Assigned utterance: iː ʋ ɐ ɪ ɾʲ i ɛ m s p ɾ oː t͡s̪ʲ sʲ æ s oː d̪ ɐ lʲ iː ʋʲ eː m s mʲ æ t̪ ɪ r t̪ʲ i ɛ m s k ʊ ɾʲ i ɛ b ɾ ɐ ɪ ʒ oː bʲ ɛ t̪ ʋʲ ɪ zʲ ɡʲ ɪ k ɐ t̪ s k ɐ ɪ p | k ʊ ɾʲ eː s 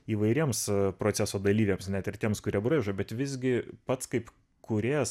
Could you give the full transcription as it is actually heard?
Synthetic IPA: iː ʋ ɐ ɪ ɾʲ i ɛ m s p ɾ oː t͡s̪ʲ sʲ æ s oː d̪ ɐ lʲ iː ʋʲ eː m s nʲ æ t̪ ɪ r t̪ʲ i ɛ m s k ʊ ɾʲ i ɛ b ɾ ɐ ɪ ʒ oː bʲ ɛ t̪ ʋʲ ɪ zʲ ɡʲ ɪ p ɐ t̪ s k ɐ ɪ p | k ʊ ɾʲ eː s